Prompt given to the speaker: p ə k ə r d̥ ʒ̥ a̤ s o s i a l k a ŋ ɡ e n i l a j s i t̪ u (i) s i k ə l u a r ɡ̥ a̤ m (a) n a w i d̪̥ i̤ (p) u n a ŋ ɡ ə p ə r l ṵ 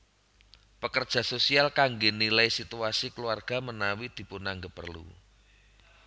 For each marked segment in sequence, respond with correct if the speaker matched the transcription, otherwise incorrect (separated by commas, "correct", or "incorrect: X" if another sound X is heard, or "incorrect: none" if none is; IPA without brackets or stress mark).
incorrect: a, incorrect: ə, correct